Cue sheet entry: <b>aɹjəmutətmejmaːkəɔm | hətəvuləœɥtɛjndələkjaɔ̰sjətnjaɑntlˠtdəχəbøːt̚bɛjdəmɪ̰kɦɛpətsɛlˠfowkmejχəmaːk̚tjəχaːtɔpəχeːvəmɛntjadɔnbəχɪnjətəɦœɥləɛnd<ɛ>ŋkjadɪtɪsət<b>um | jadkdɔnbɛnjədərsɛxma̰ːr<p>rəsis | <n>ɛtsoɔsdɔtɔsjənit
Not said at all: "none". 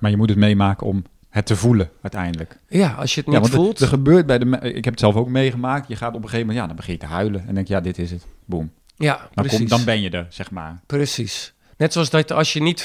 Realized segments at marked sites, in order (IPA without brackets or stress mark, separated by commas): m, ɛ, b, p, n